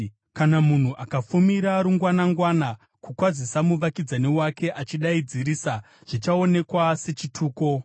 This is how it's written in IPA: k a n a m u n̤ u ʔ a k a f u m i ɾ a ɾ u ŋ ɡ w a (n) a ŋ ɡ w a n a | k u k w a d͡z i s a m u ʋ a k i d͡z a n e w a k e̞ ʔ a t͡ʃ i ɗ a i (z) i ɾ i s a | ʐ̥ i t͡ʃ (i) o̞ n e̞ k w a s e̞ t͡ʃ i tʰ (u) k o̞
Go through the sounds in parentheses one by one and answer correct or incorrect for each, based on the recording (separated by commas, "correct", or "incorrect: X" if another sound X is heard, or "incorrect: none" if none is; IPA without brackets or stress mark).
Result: correct, incorrect: d͡z, incorrect: a, incorrect: uː